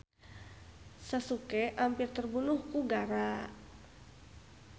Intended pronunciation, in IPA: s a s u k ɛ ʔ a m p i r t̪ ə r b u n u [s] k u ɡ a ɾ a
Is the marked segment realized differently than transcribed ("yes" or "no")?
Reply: yes